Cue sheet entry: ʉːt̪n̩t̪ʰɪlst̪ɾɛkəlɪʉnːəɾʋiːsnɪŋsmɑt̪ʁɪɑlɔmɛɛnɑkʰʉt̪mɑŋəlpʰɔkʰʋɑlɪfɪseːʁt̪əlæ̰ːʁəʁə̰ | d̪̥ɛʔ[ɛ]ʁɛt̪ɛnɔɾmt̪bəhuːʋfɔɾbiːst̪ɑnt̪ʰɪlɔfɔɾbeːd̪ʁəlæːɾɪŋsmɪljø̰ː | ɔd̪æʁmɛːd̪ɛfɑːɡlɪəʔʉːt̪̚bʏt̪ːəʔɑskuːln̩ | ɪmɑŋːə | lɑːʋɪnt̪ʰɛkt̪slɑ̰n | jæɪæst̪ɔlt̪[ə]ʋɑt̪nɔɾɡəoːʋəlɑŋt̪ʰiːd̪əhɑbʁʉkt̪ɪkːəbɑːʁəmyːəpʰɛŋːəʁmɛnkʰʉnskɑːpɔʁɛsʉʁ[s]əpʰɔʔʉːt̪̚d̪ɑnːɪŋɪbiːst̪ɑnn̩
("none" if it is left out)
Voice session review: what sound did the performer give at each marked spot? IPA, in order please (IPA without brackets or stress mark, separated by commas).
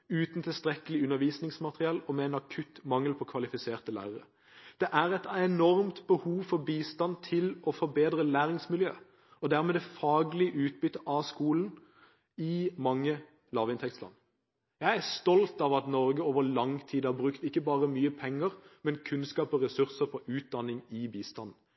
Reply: æ, ɑ, s